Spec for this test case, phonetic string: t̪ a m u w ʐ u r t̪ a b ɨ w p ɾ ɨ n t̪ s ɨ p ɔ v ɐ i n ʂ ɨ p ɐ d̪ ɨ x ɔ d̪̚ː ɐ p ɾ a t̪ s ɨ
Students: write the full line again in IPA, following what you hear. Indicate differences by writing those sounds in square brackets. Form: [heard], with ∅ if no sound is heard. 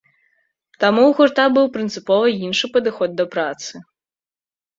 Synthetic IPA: t̪ a m u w [ɣ] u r t̪ a b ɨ w p ɾ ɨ n t̪ s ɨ p ɔ v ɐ i n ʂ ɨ p ɐ d̪ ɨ x ɔ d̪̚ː ɐ p ɾ a t̪ s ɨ

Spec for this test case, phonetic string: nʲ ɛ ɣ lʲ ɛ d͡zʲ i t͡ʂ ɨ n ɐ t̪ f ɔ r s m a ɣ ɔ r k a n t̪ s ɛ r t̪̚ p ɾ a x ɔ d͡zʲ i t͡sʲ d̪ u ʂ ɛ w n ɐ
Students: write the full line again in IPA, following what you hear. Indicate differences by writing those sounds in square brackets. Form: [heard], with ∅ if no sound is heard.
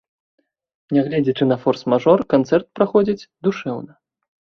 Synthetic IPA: nʲ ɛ ɣ lʲ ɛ d͡zʲ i t͡ʂ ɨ n ɐ [∅] f ɔ r s m a [ʐ] ɔ r k a n t̪ s ɛ r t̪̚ p ɾ a x ɔ d͡zʲ i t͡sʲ d̪ u ʂ ɛ w n ɐ

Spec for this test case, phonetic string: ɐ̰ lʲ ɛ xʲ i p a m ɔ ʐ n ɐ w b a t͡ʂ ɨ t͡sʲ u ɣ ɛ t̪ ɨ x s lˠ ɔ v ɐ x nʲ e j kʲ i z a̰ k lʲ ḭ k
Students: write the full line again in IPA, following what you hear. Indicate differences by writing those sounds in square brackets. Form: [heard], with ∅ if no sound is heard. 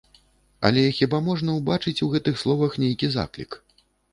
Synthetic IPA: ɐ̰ lʲ ɛ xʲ i [b] a m ɔ ʐ n ɐ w b a t͡ʂ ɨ t͡sʲ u ɣ ɛ t̪ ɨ x s lˠ ɔ v ɐ x nʲ e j kʲ i z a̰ k lʲ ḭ k

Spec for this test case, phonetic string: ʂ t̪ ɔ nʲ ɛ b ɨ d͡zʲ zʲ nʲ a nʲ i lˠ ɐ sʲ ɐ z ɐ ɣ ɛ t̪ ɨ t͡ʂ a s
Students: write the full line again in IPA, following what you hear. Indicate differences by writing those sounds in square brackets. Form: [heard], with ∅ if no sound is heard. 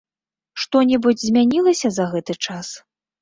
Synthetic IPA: ʂ t̪ ɔ nʲ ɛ b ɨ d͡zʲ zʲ [mʲ] a nʲ i lˠ ɐ sʲ ɐ z ɐ ɣ ɛ t̪ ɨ t͡ʂ a s

